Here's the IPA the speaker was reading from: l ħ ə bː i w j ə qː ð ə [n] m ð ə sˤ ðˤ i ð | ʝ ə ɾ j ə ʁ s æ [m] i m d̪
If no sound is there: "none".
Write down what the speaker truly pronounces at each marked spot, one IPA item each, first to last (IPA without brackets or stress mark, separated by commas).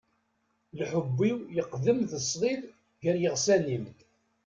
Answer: none, n